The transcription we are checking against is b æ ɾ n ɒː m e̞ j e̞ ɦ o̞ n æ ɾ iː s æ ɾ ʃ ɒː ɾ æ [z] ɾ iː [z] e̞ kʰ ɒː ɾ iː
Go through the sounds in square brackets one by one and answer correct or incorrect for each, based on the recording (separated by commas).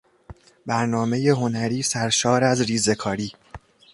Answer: correct, correct